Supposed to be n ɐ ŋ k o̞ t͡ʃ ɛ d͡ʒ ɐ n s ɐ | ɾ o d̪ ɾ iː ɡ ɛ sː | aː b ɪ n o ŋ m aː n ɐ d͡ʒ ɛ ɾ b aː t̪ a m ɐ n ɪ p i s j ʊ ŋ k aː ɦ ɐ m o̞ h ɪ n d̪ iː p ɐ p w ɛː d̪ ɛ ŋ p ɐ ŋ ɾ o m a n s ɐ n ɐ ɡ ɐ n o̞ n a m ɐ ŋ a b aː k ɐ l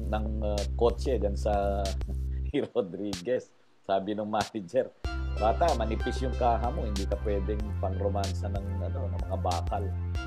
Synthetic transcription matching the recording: n ɐ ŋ k o̞ t͡ʃ ɛ d͡ʒ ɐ n s ɐ | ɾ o d̪ ɾ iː ɡ ɛ sː | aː b ɪ n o ŋ m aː n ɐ d͡ʒ ɛ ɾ b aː t̪ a m ɐ n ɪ p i s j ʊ ŋ k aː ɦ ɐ m o̞ h ɪ n d̪ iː k ɐ p w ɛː d̪ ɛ ŋ p ɐ ŋ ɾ o m a n s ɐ n ɐ ŋ ɐ n o̞ n ɐ m ɐ ŋ a b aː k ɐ l